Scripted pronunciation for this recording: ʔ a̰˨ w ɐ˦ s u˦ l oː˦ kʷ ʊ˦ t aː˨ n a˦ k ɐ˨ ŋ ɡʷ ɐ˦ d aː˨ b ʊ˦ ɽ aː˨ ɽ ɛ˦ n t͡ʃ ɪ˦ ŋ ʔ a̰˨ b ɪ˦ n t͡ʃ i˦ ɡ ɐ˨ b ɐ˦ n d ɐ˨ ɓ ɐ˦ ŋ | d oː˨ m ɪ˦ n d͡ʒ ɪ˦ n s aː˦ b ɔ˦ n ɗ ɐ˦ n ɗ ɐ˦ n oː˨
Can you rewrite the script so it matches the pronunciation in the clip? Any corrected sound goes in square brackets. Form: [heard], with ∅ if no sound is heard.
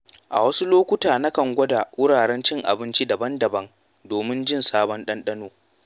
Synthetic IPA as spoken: ʔ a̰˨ w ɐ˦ s u˦ l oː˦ kʷ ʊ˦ t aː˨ n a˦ k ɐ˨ ŋ ɡʷ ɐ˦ d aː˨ [w] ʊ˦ ɽ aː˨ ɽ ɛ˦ n t͡ʃ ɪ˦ ŋ ʔ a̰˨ b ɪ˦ n t͡ʃ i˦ [d] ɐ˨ b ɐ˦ n d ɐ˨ [b] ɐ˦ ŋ | d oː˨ m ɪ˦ n d͡ʒ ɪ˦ n s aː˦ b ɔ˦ n ɗ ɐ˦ n ɗ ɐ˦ n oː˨